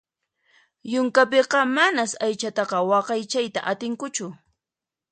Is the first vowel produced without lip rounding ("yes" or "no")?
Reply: no